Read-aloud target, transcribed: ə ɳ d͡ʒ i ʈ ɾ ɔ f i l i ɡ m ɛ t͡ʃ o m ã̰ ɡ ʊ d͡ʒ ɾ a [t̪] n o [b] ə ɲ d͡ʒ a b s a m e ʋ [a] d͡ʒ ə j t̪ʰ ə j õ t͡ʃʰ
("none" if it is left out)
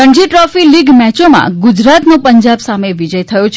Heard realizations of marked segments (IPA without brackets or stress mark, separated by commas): t̪, p, i